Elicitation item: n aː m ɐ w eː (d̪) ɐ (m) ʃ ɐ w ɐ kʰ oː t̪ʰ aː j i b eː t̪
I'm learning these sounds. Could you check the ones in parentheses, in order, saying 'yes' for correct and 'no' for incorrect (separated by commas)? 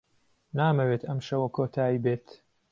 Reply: no, yes